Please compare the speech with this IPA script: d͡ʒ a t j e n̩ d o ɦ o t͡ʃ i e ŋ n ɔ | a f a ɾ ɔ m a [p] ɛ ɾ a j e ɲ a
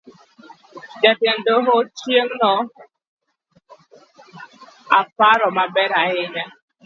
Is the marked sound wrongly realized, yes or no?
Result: yes